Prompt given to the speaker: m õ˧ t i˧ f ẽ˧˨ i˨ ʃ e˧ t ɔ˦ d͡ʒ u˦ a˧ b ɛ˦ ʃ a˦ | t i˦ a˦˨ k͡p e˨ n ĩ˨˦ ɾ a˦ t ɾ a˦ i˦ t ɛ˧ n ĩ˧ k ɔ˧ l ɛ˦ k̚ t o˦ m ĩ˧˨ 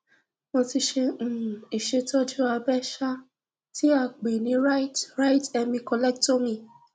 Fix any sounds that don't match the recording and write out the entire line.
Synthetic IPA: m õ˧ t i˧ ʃ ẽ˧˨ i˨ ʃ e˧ t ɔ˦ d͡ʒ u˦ a˧ b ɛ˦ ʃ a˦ | t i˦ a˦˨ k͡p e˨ n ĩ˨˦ ɾ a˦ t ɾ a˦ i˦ t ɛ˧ m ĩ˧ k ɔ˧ l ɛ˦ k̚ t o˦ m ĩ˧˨